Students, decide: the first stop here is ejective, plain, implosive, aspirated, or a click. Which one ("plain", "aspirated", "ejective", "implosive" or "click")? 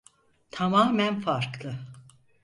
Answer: aspirated